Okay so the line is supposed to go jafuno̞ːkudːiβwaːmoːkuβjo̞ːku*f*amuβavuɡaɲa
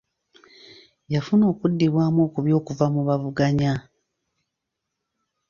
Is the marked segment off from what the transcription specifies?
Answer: yes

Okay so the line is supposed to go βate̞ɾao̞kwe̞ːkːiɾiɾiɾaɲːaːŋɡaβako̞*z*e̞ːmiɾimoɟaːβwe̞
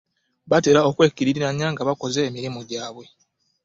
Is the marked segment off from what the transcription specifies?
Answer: no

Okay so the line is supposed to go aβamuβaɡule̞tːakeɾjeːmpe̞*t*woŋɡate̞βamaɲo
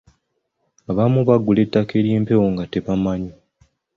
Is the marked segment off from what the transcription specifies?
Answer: yes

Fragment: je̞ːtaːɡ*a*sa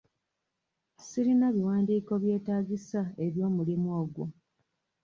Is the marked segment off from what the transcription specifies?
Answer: yes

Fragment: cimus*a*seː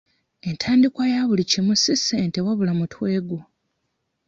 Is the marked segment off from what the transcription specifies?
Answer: yes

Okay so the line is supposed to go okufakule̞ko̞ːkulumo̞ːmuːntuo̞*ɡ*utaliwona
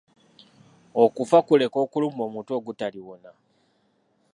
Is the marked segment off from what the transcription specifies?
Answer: no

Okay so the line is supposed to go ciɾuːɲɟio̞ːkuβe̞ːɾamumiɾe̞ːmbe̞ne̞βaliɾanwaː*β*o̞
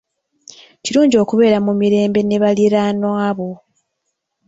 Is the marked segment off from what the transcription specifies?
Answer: no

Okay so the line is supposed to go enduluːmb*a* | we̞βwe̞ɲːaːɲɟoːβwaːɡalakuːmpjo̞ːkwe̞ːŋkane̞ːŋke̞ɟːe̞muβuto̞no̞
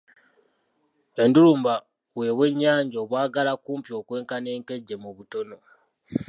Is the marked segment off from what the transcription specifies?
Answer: no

